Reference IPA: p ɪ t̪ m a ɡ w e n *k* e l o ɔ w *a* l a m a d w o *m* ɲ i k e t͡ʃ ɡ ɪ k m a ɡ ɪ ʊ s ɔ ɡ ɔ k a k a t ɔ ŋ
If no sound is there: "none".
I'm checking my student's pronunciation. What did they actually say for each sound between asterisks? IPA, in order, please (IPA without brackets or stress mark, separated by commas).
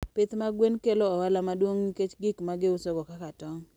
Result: k, a, ŋ